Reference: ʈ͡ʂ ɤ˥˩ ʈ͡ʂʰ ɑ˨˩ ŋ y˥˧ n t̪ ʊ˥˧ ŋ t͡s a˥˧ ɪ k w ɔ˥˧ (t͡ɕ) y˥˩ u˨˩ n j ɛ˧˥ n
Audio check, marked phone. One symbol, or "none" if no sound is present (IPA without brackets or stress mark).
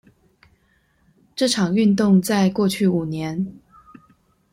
t͡ɕʰ